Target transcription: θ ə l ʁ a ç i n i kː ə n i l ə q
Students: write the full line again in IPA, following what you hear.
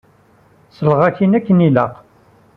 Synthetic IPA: s ə l ʁ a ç i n æ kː ə n i l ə q